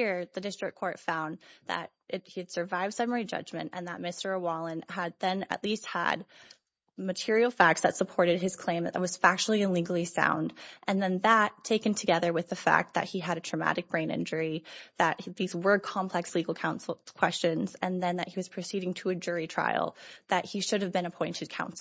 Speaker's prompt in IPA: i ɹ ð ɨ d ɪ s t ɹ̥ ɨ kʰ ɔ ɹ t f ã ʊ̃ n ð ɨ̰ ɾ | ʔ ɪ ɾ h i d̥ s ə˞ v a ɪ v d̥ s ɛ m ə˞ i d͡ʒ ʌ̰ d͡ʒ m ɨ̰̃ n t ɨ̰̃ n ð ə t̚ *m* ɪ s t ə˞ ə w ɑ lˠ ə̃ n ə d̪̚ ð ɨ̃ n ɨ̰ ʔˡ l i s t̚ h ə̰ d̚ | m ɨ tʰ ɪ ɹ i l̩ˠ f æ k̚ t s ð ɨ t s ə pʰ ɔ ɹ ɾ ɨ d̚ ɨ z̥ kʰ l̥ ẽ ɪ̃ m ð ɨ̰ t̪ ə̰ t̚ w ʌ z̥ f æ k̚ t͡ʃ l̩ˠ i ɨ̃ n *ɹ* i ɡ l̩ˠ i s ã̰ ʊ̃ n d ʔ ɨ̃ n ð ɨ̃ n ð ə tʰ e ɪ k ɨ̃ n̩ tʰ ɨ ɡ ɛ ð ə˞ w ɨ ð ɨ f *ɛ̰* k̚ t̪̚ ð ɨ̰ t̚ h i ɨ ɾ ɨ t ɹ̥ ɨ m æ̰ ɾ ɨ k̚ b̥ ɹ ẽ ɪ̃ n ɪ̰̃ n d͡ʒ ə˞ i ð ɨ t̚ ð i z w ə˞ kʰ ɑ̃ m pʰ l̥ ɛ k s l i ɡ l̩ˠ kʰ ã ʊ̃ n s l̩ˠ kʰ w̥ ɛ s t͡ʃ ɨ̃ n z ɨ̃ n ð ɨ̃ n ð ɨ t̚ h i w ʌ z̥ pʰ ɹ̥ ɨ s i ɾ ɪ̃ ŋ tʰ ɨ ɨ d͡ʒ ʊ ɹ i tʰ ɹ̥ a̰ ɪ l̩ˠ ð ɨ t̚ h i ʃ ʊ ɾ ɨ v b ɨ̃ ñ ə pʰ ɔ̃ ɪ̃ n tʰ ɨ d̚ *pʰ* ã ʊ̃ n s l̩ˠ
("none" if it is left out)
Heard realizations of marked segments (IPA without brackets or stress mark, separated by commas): m, l, æ̰, kʰ